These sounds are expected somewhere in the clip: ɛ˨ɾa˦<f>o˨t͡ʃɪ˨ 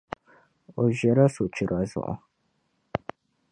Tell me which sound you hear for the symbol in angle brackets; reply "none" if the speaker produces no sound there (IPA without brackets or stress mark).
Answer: s